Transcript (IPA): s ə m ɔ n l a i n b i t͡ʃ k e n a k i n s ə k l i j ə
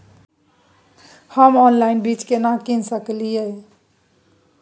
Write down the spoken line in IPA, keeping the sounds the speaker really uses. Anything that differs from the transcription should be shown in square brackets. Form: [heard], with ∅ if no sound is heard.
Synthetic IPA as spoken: [h] ə m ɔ n l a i n b i t͡ʃ k e n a k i n s ə k l i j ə